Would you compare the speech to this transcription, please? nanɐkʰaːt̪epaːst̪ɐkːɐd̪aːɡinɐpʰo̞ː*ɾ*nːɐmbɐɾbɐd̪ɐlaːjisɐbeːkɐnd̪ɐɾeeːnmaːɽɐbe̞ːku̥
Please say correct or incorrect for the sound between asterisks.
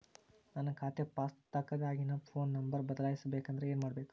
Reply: incorrect